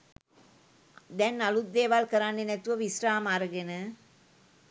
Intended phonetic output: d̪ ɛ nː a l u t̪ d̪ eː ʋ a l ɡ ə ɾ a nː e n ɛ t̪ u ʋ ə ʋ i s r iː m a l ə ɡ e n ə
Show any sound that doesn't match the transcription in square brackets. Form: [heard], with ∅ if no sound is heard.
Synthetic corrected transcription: d̪ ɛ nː a l u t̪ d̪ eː ʋ a l [k] ə ɾ a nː e n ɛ t̪ u ʋ ə ʋ i s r [aː] m a [ɾ] ə ɡ e n ə